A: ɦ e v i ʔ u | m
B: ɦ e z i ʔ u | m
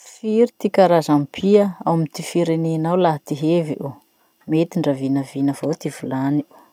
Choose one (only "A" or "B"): A